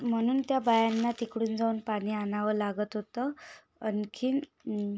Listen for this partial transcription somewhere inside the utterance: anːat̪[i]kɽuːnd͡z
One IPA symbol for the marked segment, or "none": i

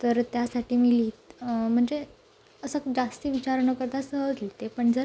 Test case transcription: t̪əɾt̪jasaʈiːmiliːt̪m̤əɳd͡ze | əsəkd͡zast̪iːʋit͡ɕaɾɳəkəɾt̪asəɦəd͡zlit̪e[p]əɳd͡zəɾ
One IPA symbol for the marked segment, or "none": p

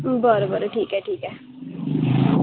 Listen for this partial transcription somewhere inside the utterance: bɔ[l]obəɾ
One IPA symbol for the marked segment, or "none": ɾ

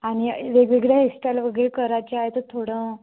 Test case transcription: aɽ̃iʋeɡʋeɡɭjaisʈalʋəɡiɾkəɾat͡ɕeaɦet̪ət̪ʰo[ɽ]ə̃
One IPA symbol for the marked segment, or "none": ɽ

